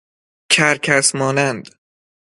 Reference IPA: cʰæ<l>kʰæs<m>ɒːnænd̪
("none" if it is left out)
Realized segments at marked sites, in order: ɾ, m

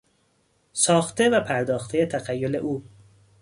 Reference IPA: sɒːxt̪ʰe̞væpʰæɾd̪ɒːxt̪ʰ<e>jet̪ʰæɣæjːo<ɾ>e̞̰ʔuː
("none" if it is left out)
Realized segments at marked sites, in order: e, l

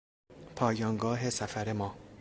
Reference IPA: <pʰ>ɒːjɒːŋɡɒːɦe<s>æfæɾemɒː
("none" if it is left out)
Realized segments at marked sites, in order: pʰ, s

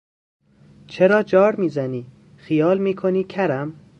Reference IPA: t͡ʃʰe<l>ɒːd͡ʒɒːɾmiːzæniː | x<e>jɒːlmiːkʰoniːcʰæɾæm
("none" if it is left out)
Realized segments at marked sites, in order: ɾ, i

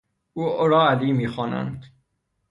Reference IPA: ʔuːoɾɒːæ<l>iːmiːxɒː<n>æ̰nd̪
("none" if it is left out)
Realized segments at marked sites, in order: l, n

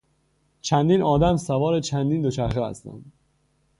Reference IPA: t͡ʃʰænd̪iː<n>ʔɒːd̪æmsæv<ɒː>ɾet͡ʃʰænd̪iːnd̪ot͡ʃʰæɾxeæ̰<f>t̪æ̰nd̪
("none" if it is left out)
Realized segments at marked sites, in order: n, ɒː, s

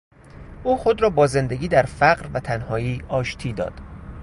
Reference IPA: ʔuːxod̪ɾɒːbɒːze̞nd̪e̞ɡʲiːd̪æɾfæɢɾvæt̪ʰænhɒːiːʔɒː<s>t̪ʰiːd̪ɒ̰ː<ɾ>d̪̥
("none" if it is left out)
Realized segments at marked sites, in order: ʃ, none

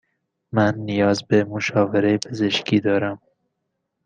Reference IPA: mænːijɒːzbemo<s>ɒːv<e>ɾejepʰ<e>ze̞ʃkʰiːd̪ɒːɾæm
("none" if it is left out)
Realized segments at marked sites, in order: ʃ, e, e

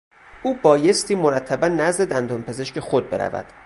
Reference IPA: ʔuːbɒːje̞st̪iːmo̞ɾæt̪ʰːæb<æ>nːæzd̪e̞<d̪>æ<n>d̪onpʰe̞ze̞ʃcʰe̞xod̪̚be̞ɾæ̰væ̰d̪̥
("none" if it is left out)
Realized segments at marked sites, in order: æ, d̪, n

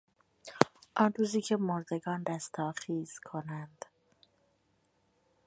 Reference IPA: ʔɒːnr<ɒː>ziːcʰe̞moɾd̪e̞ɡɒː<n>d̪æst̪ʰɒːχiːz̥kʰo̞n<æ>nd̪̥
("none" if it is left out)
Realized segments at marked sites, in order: uː, n, æ

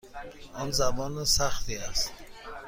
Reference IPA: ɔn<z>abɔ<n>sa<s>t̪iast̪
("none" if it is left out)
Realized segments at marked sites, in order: z, n, χ

